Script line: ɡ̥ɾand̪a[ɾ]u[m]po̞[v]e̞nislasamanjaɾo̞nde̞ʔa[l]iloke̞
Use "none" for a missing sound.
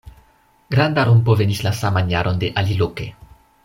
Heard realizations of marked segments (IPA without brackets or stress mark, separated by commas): ɾ, m, v, l